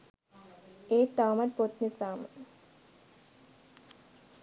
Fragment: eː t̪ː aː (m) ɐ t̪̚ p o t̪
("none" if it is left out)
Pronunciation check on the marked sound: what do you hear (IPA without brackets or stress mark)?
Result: m